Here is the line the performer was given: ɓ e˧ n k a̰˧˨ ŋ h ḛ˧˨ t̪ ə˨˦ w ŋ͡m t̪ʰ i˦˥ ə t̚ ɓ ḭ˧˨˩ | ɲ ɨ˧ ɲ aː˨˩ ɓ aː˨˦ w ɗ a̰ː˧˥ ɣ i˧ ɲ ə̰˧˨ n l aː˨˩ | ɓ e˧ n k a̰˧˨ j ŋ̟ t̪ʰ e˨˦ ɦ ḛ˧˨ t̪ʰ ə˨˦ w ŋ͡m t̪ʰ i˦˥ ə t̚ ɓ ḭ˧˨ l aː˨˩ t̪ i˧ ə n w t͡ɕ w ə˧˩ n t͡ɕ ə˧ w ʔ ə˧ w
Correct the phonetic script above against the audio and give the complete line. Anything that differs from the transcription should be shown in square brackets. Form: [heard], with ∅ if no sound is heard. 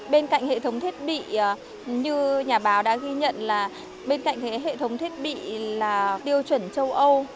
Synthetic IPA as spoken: ɓ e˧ n k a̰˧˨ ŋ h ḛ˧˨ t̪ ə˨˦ w ŋ͡m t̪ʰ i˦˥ ə t̚ ɓ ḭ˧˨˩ | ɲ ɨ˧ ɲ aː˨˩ ɓ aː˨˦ w ɗ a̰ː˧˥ ɣ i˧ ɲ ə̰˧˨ n l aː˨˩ | ɓ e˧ n k a̰˧˨ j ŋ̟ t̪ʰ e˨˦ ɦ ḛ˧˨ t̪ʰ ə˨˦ w ŋ͡m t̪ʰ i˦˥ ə t̚ ɓ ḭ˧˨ l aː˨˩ t̪ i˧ ə [∅] w t͡ɕ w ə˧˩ n t͡ɕ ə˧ w ʔ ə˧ w